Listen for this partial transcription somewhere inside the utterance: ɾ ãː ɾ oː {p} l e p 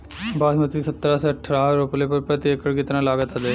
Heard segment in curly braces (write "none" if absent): p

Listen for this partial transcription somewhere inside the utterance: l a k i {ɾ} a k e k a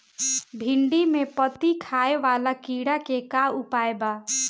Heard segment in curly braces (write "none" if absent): ɽ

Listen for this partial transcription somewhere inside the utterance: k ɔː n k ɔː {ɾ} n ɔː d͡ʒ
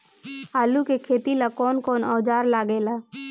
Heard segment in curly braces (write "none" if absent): none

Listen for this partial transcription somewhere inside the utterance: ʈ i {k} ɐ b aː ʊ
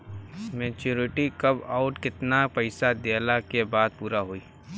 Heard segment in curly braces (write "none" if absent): k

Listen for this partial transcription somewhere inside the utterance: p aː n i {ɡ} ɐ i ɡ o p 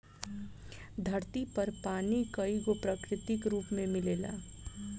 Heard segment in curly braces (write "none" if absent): k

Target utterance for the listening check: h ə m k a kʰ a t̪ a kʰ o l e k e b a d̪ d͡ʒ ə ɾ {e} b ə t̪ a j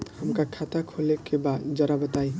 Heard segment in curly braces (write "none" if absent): a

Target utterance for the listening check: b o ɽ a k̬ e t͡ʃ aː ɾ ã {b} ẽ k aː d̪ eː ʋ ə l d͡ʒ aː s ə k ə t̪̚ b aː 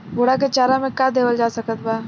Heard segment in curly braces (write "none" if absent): m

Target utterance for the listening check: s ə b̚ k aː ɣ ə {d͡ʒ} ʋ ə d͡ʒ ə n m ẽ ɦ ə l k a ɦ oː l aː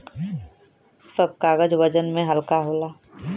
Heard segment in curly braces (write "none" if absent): d͡ʒ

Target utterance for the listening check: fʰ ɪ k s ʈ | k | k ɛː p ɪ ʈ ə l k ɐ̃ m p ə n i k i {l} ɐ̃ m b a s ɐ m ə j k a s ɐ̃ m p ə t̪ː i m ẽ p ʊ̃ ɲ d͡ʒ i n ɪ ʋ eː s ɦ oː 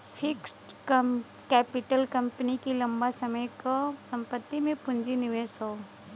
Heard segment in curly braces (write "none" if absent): l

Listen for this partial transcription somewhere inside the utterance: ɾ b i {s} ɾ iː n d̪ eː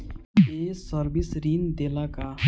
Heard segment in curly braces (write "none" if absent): s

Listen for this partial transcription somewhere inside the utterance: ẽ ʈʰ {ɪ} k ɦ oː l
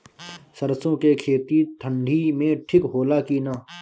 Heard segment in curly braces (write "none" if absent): ɪ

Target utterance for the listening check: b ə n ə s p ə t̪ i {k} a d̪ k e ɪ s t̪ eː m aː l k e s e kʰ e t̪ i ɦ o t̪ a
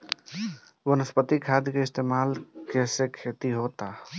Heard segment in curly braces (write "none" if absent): kʰ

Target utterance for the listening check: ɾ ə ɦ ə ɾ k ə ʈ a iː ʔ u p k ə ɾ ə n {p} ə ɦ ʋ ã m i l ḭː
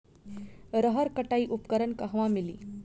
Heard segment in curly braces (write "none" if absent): k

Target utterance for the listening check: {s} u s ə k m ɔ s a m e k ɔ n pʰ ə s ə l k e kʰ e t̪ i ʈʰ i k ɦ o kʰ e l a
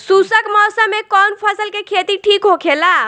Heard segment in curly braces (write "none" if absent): s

